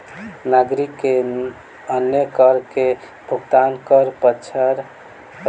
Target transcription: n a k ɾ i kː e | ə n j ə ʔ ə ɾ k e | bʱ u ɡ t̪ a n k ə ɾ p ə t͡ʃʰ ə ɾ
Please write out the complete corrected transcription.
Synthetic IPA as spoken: n a ɡ ɾ i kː e | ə n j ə k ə ɾ k e | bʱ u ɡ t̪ a n k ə ɾ p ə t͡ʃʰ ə ɾ